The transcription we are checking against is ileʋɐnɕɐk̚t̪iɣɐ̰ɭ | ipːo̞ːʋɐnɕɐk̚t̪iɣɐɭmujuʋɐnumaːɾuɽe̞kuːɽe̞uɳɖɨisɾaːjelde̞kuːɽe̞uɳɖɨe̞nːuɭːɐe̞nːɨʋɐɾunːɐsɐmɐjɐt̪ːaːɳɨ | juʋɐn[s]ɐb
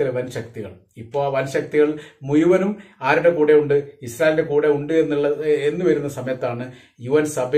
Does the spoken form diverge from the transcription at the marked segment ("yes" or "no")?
no